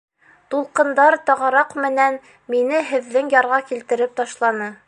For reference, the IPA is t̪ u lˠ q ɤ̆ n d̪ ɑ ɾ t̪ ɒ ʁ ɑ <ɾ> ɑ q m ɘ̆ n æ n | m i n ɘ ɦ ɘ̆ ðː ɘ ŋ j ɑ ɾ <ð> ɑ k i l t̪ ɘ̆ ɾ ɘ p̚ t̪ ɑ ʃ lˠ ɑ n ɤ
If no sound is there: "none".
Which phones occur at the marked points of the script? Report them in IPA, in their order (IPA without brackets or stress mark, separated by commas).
ɾ, ʁ